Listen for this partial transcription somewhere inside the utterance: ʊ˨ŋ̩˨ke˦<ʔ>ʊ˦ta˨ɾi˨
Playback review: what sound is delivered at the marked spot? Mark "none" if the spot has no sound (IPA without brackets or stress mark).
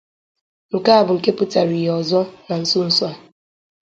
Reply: p